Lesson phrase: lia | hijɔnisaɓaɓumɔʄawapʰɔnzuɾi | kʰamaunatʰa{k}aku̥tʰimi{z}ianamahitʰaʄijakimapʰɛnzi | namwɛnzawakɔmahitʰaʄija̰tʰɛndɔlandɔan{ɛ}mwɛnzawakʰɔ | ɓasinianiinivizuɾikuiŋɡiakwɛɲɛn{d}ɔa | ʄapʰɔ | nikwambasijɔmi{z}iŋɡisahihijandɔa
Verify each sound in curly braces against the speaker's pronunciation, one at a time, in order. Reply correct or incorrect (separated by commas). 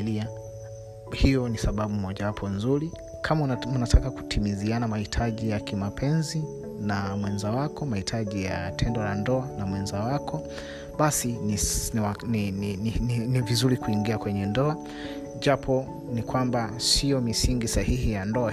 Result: correct, correct, incorrect, correct, incorrect